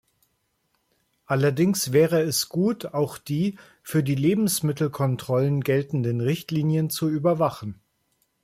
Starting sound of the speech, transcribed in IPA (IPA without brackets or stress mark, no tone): ʔ